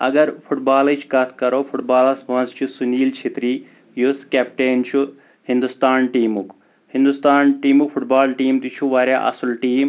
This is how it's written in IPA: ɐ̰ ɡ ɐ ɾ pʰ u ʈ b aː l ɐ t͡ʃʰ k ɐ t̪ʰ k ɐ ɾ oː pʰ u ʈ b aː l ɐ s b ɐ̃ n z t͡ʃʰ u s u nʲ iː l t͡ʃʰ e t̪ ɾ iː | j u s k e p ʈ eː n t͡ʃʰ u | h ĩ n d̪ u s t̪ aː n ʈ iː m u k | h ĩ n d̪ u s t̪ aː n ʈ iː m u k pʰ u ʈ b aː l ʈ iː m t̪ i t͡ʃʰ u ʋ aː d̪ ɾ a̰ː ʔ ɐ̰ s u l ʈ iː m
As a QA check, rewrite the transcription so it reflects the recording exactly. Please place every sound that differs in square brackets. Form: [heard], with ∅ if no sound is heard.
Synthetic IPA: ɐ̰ ɡ ɐ ɾ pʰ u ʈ b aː l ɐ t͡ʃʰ k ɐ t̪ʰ k ɐ ɾ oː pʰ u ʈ b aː l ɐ s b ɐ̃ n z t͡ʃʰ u s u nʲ iː l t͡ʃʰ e t̪ ɾ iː | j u s k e p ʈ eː n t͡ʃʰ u | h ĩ n d̪ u s t̪ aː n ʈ iː m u k | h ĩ n d̪ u s t̪ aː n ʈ iː m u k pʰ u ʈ b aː l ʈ iː m t̪ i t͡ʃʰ u ʋ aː [∅] ɾ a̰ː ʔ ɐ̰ s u l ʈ iː m